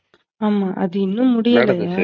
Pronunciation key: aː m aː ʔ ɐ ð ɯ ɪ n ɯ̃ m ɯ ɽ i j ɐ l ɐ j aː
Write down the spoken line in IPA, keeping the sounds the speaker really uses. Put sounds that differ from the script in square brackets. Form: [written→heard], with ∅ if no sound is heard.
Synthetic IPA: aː m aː ʔ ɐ ð ɯ ɪ [n→nː] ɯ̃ m [ɯ→ʊ] ɽ [i→ɪ] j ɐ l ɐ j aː